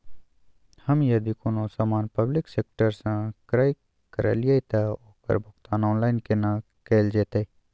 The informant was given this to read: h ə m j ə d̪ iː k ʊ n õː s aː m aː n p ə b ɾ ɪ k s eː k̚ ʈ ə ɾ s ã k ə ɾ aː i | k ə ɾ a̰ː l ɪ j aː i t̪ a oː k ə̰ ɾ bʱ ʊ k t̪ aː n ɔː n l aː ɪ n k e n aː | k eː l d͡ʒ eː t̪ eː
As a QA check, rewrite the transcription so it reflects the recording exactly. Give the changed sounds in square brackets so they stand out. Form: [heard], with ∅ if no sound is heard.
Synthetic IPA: h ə m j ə d̪ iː k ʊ n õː s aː m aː n p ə b [l] ɪ k s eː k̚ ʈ ə ɾ s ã k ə ɾ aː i | k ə ɾ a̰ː l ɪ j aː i t̪ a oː k ə̰ ɾ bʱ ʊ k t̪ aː n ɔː n l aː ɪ n k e n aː | k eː l d͡ʒ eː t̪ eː